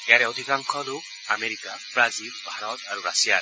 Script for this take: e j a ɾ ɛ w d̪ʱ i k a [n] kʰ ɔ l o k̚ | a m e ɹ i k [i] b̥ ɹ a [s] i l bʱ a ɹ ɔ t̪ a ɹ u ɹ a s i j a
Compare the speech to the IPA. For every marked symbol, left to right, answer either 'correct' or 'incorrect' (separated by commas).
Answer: incorrect, incorrect, incorrect